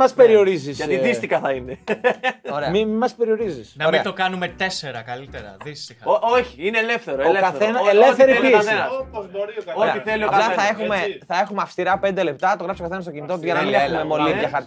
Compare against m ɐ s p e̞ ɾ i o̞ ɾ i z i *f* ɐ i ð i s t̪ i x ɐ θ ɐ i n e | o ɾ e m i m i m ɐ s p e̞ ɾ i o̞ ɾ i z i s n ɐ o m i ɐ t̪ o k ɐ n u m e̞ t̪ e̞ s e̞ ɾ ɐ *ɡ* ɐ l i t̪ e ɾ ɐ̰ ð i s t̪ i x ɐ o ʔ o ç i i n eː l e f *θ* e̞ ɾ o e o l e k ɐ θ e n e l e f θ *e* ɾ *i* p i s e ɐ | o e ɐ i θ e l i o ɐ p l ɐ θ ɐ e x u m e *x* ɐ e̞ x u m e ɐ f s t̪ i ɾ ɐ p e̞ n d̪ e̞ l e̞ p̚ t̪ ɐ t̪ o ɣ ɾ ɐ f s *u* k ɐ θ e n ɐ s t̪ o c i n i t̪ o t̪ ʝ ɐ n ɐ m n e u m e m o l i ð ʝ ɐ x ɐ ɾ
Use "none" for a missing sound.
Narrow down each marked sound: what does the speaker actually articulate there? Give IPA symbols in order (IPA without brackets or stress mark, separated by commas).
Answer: s, k, θ, e, i, θ, o